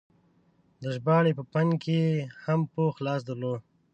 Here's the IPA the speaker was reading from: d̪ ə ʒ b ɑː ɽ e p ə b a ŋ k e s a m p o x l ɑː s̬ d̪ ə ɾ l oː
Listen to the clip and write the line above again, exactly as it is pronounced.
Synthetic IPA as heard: d̪ ə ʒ b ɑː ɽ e p ə p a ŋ k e h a m p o x l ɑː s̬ d̪ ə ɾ l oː

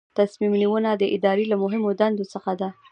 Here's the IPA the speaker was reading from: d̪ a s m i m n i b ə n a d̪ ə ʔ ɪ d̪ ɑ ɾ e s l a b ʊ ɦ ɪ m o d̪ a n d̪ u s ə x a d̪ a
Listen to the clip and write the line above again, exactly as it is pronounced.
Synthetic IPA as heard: t̪ a s m i m n i w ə n a d̪ ə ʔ ɪ d̪ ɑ ɾ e l a m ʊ ɦ ɪ m o d̪ a n d̪ o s ə x a d̪ a

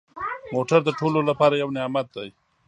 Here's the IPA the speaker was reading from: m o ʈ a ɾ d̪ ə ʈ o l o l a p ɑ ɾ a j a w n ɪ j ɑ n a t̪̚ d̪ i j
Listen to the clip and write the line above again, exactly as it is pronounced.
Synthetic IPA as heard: m o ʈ a ɾ d̪ ə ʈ o l o l a p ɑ ɾ a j a w n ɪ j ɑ m a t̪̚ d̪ a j

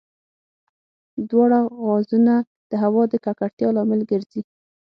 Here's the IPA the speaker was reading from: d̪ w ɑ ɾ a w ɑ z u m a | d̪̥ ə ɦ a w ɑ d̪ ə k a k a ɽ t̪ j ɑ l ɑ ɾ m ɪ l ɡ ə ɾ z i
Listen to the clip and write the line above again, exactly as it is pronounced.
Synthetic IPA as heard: d̪ w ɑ ɽ a ɣ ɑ z u n a | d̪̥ ə ɦ a w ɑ d̪ ə k a k a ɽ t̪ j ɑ l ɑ m ɪ l ɡ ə ɾ z i

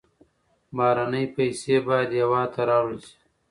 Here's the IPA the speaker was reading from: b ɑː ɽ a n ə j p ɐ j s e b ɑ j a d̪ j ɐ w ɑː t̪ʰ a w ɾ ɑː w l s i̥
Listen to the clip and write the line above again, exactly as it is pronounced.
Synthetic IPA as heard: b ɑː ɾ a n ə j p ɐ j s e b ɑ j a d̪ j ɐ w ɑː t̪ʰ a ɾ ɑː w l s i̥

